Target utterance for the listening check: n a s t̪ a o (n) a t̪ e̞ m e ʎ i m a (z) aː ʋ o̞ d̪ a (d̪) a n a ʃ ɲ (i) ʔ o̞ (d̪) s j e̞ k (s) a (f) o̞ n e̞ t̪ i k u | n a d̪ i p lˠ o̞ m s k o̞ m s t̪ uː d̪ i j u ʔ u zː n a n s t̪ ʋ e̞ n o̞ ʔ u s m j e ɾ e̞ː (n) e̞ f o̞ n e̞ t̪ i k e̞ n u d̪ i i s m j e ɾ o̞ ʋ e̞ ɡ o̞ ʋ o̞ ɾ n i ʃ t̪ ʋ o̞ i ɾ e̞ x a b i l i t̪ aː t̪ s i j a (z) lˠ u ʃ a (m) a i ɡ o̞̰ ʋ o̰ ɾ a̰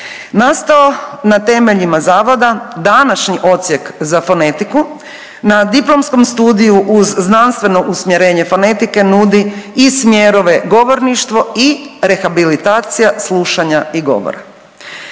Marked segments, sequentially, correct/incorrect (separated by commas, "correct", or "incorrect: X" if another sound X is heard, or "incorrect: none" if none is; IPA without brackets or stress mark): correct, correct, correct, correct, incorrect: t̪, incorrect: z, correct, incorrect: ɲ, incorrect: s, incorrect: ɲ